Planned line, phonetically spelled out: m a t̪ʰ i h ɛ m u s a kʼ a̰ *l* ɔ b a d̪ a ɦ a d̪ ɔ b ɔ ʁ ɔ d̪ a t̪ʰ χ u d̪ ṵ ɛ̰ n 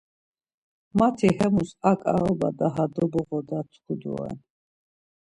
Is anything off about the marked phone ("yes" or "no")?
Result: yes